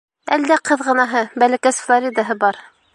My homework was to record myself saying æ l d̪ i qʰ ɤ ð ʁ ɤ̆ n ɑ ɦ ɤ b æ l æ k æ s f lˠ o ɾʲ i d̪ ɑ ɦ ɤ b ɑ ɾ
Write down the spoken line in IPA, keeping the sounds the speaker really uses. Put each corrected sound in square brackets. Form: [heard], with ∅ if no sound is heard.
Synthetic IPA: æ l d̪ [æ] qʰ ɤ ð ʁ ɤ̆ n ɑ ɦ ɤ b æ l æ k æ s f lˠ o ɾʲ i d̪ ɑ ɦ ɤ b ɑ ɾ